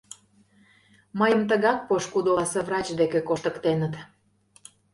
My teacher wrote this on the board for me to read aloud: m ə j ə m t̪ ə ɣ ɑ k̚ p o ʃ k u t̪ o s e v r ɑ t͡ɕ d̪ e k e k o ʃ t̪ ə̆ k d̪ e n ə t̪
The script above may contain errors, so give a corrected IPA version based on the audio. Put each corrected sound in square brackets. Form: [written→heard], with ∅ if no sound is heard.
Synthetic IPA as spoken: m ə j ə m t̪ ə ɣ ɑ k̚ p o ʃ k u [t̪→d̪] o s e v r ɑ t͡ɕ d̪ e k e k o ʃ t̪ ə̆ k [d̪→t̪] e n ə t̪